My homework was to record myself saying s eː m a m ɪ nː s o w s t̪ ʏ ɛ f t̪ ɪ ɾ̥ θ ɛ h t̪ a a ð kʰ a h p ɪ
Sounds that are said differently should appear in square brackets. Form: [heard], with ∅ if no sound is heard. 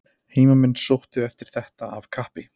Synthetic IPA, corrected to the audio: [h] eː m a m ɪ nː s o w [h] t̪ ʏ ɛ f t̪ ɪ ɾ̥ θ ɛ h t̪ a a [v] kʰ a h p ɪ